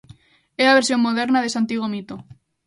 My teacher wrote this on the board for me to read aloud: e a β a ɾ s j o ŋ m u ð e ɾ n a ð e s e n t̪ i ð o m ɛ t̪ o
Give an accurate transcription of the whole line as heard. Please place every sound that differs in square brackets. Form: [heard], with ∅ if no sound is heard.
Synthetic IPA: e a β [e] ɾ s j o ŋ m [o] ð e ɾ n a ð e s [a] n t̪ i [ɣ] o m [i] t̪ o